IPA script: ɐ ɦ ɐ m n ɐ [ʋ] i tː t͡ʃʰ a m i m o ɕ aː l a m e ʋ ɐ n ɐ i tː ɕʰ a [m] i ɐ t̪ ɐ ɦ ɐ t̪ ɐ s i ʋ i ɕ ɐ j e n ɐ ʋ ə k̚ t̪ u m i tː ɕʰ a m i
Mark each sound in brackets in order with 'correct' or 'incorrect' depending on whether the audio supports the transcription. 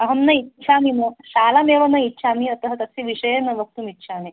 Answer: incorrect, correct

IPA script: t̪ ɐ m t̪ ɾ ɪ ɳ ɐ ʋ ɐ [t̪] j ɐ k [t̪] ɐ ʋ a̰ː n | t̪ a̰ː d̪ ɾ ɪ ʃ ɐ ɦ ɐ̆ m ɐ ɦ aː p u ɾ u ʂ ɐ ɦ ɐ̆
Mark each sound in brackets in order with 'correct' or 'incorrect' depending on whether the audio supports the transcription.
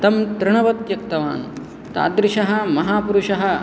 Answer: correct, correct

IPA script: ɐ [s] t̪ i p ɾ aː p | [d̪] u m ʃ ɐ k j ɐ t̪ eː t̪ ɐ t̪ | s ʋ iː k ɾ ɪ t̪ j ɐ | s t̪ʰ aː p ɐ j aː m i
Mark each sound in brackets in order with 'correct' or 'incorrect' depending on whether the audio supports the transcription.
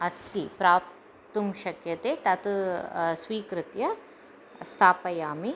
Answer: correct, incorrect

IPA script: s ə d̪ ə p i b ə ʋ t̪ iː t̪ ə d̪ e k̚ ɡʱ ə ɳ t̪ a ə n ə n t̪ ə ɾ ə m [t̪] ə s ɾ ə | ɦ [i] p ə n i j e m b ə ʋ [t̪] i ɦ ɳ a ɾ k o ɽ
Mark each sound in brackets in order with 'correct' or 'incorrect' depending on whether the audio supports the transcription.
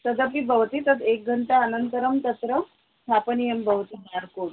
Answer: correct, incorrect, correct

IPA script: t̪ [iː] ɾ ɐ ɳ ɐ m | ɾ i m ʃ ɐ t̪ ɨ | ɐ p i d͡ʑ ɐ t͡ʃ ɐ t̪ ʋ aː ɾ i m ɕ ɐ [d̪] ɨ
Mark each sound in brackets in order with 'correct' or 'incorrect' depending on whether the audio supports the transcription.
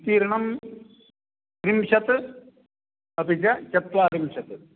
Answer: correct, incorrect

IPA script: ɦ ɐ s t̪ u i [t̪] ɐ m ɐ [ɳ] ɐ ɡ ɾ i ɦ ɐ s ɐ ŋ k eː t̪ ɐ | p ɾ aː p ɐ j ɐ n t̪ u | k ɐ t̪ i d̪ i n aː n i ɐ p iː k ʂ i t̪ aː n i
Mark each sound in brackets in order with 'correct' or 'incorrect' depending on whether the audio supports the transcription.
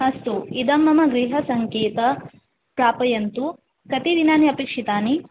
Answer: incorrect, incorrect

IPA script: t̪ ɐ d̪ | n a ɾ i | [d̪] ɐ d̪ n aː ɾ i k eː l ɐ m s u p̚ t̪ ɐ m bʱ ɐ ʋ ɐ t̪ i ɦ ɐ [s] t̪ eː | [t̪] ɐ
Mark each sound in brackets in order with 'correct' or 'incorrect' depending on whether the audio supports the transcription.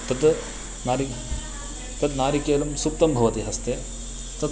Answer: incorrect, correct, correct

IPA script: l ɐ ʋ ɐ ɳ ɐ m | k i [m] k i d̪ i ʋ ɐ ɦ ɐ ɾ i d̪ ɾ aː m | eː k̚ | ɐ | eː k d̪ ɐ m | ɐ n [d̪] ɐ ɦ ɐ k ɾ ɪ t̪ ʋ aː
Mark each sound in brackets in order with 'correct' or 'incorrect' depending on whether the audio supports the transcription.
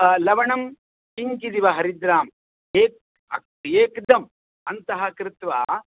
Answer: incorrect, incorrect

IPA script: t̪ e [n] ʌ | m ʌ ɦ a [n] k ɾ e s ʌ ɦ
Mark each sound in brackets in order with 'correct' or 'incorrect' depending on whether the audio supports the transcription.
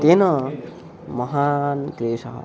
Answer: correct, correct

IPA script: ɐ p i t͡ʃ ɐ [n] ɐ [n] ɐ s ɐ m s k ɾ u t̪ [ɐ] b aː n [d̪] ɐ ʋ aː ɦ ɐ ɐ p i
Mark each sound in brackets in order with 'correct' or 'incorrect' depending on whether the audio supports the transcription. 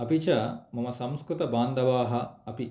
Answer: incorrect, incorrect, correct, correct

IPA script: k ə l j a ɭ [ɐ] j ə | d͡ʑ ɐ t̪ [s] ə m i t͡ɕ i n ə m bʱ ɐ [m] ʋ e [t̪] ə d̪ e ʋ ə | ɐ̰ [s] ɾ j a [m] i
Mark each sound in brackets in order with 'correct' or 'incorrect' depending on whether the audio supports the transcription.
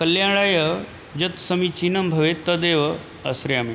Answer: incorrect, correct, incorrect, correct, correct, correct

